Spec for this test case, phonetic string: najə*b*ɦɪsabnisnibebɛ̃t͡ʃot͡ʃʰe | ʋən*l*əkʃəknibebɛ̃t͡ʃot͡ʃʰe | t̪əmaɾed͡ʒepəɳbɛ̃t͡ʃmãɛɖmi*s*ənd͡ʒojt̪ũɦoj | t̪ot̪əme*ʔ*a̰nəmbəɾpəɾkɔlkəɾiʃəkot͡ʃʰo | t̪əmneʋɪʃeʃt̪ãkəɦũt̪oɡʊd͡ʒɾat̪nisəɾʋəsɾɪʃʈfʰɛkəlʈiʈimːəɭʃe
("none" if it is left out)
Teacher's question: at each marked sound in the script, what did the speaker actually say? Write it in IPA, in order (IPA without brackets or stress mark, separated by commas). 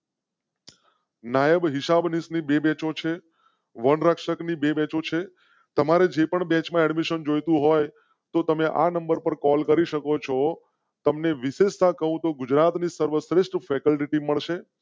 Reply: b, ɾ, ʃ, ʔ